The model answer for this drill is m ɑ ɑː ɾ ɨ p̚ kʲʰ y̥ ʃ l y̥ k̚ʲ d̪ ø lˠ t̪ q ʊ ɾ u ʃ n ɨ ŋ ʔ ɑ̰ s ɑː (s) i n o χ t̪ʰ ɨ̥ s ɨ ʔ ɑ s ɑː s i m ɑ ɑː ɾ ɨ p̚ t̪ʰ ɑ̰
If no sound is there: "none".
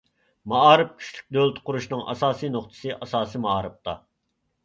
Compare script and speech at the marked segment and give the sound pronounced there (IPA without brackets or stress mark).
s